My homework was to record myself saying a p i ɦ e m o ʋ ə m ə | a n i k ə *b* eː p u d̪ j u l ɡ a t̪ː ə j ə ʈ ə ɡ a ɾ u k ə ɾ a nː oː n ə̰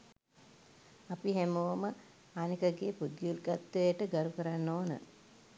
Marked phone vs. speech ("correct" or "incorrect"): incorrect